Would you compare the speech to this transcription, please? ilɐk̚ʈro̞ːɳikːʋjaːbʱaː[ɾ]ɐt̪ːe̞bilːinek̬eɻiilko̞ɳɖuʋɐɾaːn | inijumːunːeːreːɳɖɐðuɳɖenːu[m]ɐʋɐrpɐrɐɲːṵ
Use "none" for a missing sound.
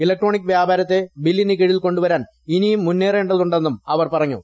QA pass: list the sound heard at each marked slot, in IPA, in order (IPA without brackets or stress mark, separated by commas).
ɾ, m